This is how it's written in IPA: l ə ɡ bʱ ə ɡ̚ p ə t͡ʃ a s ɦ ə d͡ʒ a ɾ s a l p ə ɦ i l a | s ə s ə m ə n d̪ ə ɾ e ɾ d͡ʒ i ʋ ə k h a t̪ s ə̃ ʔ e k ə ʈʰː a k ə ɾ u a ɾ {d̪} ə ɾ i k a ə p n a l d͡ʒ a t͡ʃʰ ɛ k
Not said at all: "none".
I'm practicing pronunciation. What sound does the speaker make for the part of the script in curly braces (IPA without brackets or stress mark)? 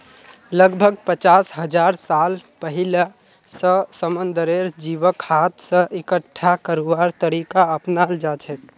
t̪